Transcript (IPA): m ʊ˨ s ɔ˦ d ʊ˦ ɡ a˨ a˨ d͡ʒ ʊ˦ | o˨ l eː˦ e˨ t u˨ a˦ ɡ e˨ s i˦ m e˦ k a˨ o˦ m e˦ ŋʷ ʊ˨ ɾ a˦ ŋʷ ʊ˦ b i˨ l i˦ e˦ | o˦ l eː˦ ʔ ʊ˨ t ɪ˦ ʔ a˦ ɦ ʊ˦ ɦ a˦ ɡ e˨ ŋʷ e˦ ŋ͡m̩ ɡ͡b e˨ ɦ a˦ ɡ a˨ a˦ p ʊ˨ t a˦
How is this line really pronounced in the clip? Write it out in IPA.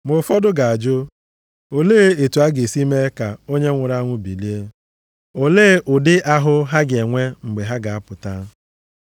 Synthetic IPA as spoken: m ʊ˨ f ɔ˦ d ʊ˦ ɡ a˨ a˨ d͡ʒ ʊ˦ | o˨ l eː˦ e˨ t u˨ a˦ ɡ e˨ s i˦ m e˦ k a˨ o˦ ɲ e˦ ŋʷ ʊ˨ ɾ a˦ ŋʷ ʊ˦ b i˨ l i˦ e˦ | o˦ l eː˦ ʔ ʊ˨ d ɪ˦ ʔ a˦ ɦ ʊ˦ ɦ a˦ ɡ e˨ ŋʷ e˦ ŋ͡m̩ ɡ͡b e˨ ɦ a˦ ɡ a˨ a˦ p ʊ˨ t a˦